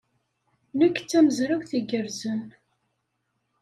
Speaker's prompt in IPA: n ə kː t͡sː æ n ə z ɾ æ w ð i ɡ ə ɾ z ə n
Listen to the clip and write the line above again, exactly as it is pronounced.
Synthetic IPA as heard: n ə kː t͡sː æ m ə z ɾ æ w θ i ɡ ə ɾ z ə n